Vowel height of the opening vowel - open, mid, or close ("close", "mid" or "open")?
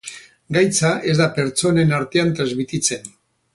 open